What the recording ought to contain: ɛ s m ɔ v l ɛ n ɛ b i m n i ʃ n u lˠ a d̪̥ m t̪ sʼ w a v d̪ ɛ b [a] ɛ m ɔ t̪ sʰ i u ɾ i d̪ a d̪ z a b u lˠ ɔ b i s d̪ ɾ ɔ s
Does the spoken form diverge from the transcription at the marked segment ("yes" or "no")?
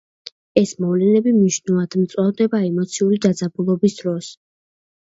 no